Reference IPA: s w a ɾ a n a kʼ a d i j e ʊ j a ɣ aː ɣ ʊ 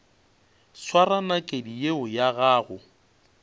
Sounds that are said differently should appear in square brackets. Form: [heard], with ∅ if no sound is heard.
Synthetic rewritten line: s w a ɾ a n a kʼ [e] d i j e ʊ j a ɣ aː ɣ ʊ